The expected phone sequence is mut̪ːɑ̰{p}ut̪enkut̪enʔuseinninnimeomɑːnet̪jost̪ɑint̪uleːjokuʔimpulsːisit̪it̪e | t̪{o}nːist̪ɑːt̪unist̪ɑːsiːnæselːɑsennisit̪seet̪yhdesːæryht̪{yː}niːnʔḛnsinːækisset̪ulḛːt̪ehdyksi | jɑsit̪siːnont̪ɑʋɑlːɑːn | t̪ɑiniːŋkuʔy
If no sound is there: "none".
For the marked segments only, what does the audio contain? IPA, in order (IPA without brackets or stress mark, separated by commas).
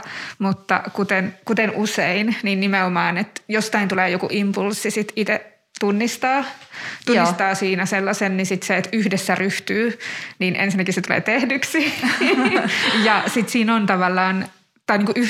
k, u, yː